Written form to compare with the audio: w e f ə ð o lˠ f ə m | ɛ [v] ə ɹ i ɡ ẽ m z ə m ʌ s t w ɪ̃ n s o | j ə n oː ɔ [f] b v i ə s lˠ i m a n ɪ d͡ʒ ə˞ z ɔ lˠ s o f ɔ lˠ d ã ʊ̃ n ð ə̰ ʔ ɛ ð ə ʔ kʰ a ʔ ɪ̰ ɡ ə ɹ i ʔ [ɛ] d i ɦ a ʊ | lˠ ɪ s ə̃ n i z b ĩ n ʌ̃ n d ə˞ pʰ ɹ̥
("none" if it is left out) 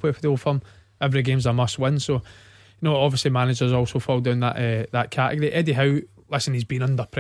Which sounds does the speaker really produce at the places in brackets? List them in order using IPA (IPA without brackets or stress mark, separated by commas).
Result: v, none, ɛ